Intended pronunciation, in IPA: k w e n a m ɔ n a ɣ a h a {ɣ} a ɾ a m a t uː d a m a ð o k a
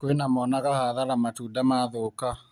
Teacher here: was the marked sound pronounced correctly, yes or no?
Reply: no